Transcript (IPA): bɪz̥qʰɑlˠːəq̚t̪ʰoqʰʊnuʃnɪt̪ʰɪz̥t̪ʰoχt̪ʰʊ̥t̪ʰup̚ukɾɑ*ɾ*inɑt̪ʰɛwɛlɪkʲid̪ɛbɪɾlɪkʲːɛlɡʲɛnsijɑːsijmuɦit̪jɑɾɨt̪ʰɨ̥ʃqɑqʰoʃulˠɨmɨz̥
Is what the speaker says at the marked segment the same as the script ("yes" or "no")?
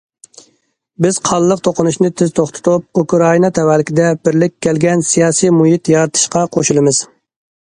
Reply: no